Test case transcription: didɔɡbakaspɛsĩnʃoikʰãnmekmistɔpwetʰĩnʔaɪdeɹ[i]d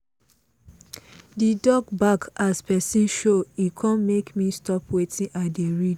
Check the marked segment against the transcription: correct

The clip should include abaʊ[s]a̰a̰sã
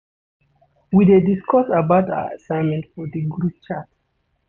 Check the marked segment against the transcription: incorrect: t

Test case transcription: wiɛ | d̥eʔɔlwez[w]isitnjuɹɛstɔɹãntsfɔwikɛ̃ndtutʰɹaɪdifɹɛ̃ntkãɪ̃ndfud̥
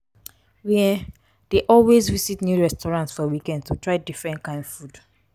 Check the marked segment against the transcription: incorrect: v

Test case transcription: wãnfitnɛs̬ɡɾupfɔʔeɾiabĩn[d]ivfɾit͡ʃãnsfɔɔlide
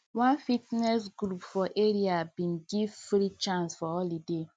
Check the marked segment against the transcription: incorrect: ɡ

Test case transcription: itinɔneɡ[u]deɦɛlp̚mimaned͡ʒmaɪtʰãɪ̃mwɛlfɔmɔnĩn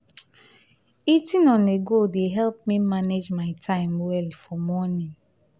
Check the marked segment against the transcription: incorrect: o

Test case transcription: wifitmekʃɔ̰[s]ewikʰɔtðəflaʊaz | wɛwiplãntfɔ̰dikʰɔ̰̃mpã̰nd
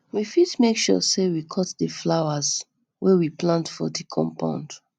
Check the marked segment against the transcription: correct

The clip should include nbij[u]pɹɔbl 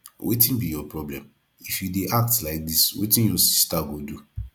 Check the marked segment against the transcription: incorrect: ɔ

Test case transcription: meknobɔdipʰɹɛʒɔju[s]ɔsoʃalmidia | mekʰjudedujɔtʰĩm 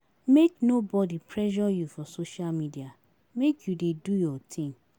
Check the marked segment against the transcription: incorrect: f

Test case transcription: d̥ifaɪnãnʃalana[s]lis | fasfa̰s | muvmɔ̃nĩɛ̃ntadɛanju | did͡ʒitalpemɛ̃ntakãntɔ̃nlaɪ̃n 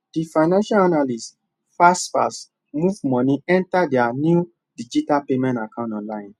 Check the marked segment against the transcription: incorrect: none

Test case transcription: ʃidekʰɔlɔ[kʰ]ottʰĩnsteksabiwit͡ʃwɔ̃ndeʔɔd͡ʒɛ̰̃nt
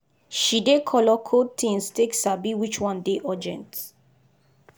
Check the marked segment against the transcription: correct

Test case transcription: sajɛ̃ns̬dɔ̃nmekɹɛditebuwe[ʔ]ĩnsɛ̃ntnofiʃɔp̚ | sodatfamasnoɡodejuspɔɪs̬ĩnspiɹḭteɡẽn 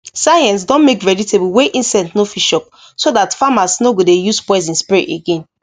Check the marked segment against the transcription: correct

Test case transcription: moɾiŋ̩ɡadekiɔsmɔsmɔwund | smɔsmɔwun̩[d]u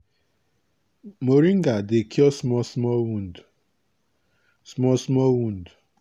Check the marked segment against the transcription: correct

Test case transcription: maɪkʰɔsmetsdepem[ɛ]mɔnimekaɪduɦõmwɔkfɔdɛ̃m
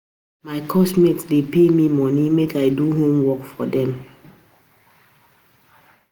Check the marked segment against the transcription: incorrect: i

